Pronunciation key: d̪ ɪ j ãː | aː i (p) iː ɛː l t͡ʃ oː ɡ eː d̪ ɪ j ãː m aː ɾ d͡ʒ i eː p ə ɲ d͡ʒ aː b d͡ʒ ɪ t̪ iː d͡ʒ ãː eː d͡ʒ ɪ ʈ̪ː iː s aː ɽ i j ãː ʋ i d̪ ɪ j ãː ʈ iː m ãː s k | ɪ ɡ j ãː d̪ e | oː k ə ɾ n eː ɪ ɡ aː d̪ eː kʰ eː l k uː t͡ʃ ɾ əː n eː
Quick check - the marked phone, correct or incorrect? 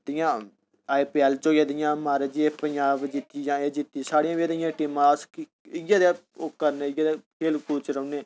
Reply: correct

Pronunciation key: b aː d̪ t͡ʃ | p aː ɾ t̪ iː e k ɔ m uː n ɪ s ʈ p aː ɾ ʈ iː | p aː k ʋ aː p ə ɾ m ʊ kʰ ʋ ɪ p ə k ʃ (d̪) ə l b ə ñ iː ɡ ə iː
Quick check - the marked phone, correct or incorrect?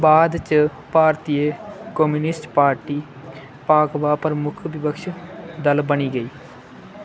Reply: correct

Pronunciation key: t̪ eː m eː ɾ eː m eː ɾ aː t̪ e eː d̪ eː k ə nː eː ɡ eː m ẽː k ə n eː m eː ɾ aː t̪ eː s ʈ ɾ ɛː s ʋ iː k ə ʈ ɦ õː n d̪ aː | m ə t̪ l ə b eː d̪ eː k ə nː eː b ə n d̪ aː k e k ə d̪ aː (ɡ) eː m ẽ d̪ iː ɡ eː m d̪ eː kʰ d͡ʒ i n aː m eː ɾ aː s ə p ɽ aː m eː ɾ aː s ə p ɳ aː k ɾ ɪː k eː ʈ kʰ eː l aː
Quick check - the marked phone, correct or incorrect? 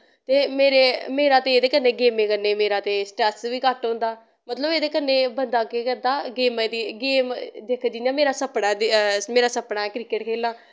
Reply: correct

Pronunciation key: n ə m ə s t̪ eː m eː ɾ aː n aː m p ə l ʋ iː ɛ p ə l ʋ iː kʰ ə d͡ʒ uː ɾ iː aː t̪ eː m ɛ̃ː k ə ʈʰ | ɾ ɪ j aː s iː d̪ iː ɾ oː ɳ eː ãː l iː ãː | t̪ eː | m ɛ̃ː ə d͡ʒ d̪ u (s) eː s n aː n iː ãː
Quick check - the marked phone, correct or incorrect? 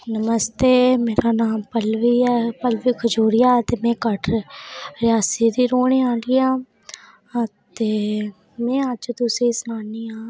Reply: correct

